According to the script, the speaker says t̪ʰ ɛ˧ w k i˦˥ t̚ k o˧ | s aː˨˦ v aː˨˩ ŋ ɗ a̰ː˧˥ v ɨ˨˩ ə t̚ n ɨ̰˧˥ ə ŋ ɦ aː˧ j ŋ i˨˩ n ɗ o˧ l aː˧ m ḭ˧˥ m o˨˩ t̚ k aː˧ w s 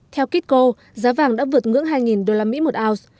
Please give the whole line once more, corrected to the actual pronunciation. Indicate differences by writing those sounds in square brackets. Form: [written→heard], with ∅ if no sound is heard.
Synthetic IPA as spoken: t̪ʰ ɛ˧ w k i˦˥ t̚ k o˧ | [s→z] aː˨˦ v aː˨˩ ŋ ɗ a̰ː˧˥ v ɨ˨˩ ə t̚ [n→ŋ] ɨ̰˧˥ ə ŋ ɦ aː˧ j ŋ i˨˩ n ɗ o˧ l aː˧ m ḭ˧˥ m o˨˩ t̚ [k→ʔ] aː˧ w s